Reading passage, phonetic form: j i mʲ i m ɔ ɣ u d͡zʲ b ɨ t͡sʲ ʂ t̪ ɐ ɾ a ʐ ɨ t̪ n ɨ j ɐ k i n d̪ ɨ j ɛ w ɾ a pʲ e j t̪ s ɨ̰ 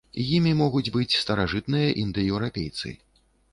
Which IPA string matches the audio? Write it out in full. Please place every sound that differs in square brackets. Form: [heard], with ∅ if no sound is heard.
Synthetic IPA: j i mʲ i m ɔ ɣ u d͡zʲ b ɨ t͡sʲ [s] t̪ ɐ ɾ a ʐ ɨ t̪ n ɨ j ɐ [ʔ] i n d̪ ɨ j ɛ w ɾ a pʲ e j t̪ s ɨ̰